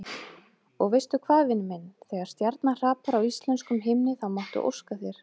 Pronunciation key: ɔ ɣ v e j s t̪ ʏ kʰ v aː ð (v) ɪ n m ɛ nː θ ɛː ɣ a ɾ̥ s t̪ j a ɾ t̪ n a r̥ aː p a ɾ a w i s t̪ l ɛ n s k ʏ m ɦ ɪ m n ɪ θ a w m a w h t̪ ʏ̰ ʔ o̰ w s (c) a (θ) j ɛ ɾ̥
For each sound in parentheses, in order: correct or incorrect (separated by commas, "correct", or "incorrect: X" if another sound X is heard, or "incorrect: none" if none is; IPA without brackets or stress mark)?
correct, incorrect: k, correct